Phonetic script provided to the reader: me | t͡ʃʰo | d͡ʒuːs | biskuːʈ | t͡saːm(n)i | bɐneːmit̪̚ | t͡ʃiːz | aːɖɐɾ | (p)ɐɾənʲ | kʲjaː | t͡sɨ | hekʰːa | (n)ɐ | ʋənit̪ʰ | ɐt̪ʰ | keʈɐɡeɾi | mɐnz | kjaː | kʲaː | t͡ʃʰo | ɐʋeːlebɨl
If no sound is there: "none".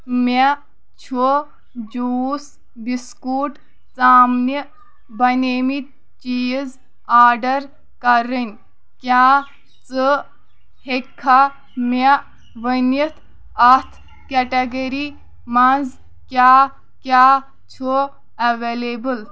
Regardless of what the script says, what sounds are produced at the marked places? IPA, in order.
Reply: n, k, m

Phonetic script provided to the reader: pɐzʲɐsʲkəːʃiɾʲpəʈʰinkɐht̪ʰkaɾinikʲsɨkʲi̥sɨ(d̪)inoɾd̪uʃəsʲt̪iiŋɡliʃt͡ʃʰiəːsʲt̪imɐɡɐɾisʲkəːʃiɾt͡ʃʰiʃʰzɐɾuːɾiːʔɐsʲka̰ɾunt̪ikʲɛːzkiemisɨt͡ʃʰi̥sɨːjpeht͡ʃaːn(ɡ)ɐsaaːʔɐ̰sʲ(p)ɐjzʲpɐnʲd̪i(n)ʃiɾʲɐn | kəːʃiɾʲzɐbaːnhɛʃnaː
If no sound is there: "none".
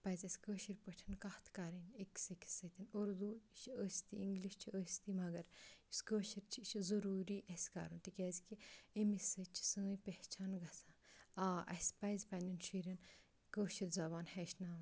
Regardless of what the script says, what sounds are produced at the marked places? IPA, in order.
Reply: t̪, ɡ, p, n

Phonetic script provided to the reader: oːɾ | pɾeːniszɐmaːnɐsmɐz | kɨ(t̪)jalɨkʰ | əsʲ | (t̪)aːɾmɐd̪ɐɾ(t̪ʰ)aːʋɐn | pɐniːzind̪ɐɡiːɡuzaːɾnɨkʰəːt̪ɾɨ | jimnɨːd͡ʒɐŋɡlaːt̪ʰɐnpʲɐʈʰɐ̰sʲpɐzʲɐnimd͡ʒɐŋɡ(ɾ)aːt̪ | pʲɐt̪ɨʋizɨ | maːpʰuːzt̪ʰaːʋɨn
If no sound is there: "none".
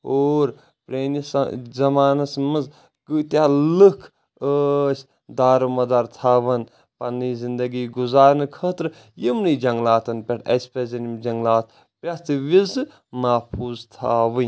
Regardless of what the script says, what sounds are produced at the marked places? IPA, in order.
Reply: t̪, d̪, t̪ʰ, l

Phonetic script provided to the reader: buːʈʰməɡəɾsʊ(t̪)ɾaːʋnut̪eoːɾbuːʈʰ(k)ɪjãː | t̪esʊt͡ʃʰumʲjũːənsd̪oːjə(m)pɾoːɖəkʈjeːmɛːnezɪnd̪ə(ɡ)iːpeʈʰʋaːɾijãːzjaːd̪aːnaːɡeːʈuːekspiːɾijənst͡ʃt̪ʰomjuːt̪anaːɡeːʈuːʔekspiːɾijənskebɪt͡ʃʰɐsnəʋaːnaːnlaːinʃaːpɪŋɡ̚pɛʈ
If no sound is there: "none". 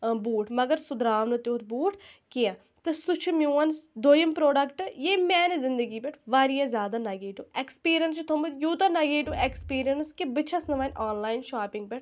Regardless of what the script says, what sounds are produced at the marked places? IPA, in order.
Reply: d̪, k, m, ɡ

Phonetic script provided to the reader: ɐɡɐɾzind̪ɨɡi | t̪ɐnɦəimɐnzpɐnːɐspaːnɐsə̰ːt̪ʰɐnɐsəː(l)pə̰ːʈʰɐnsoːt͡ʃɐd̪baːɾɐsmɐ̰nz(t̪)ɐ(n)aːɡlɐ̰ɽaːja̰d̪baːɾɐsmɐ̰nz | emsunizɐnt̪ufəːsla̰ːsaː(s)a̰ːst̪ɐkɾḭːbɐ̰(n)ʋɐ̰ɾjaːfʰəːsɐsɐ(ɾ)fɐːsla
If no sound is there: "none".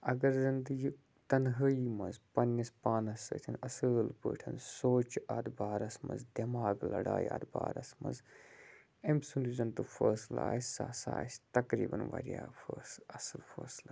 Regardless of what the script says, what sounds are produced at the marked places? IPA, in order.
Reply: l, d̪, m, s, n, l

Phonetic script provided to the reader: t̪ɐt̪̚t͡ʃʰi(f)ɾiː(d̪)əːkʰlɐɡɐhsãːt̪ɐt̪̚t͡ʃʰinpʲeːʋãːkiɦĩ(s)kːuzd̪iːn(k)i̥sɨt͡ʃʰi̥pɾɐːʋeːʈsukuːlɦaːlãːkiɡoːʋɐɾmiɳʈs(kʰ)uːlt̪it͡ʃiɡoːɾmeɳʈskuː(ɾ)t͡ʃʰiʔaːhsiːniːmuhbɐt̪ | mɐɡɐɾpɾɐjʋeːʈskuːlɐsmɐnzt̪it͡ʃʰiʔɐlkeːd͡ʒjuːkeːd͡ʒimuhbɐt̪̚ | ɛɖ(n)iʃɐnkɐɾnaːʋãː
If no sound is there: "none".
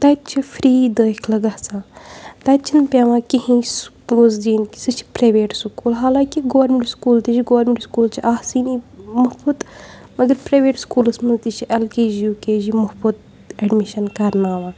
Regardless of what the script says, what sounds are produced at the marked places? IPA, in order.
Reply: f, d̪, s, k, k, l, m

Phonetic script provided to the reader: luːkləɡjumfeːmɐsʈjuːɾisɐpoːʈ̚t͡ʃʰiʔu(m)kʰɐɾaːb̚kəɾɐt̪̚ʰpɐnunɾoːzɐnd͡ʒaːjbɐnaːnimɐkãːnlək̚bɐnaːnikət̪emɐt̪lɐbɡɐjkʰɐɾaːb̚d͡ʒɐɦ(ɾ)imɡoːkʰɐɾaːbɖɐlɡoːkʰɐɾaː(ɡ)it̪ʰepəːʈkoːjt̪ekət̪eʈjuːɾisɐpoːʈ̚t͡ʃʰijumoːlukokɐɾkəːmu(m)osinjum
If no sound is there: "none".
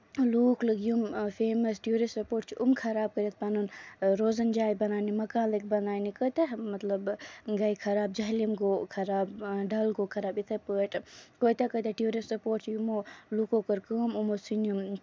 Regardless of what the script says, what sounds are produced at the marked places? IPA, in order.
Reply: m, l, b, m

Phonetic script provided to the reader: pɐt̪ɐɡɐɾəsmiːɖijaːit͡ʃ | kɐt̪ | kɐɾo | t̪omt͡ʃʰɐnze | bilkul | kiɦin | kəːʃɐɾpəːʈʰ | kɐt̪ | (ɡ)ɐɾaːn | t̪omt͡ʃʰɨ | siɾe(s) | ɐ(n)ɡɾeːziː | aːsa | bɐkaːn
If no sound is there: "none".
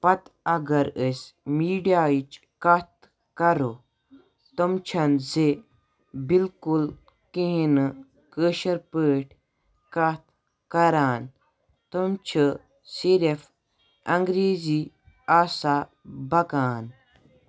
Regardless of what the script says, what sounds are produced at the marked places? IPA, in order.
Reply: k, f, ŋ

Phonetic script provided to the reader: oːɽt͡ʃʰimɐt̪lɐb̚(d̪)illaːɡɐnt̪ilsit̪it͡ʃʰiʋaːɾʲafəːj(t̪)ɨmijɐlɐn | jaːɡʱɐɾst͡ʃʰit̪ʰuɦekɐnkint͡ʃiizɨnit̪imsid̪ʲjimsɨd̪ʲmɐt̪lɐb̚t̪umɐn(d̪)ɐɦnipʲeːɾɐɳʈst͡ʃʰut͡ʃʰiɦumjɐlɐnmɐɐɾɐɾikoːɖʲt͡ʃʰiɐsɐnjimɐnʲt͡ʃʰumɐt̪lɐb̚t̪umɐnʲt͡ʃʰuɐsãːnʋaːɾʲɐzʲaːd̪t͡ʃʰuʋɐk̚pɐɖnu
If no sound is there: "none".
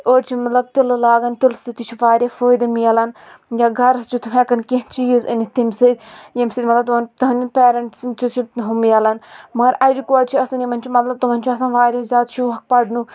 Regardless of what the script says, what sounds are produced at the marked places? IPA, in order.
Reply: t̪, d̪, t̪

